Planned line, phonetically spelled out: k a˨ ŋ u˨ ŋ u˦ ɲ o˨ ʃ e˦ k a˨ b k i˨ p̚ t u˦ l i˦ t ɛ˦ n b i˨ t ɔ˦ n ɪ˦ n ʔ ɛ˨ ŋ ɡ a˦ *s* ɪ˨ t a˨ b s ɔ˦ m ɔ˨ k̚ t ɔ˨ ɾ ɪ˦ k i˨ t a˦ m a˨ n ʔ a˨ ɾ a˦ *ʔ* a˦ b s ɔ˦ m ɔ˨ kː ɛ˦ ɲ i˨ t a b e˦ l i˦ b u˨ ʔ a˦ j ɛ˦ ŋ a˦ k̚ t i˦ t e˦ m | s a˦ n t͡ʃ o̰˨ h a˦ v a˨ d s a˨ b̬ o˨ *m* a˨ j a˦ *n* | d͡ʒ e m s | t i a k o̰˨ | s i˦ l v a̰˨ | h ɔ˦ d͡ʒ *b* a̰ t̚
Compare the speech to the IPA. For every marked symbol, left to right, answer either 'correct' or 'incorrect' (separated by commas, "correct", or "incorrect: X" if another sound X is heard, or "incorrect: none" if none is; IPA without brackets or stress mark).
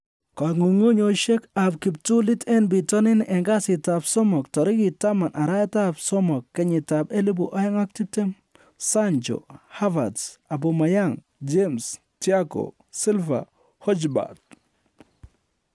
correct, incorrect: t, correct, incorrect: ŋ, correct